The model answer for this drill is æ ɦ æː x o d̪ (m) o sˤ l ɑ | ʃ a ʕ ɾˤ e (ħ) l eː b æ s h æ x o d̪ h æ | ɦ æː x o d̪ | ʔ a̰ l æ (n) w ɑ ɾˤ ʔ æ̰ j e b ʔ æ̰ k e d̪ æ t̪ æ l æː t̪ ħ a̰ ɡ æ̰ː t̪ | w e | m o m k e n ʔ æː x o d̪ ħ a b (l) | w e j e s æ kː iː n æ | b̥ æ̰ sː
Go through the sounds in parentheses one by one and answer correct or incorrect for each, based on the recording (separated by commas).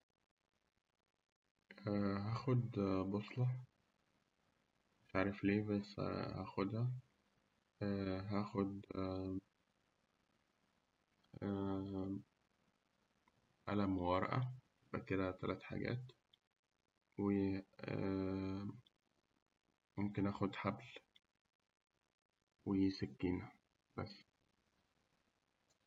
incorrect, incorrect, incorrect, correct